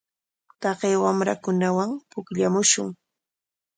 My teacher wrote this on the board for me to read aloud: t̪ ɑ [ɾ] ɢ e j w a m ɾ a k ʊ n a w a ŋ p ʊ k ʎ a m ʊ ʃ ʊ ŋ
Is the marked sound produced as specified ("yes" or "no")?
no